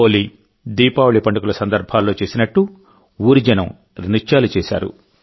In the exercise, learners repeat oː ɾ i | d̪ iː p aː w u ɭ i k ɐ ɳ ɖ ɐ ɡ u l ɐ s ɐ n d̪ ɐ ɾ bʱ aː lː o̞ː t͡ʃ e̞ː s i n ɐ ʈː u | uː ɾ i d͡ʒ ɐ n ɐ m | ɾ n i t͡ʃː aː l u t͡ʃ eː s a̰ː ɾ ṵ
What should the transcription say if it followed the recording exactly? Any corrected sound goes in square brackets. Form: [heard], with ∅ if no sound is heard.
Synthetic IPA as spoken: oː [l] i | d̪ iː p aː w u ɭ i [p] ɐ ɳ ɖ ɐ [k] u l ɐ s ɐ n d̪ ɐ ɾ bʱ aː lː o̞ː t͡ʃ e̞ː s i n ɐ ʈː u | uː ɾ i d͡ʒ ɐ n ɐ m | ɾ n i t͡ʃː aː l u t͡ʃ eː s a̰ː ɾ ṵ